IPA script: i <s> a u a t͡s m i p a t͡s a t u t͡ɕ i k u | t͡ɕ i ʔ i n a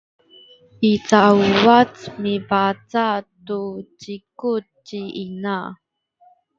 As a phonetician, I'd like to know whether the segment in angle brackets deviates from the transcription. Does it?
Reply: yes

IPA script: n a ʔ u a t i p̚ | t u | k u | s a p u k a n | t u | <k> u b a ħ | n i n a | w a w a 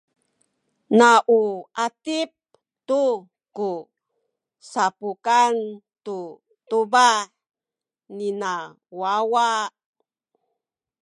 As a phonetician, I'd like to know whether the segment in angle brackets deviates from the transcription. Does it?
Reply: yes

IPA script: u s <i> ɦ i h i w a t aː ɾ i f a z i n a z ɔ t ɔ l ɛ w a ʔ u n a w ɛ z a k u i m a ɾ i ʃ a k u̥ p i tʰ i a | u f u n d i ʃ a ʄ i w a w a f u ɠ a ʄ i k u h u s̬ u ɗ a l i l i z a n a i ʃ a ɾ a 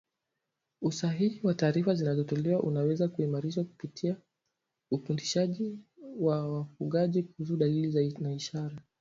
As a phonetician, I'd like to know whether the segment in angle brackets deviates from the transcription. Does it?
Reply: yes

